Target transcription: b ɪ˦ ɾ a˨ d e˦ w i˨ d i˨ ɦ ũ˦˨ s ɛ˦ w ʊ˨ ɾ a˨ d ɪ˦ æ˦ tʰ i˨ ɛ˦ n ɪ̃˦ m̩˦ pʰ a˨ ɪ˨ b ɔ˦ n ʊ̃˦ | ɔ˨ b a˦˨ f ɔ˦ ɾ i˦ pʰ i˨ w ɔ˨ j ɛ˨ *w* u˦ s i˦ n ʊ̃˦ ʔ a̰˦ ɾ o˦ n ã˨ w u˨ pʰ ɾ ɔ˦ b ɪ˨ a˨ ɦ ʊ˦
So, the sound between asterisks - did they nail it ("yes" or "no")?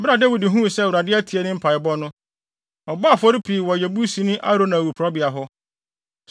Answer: no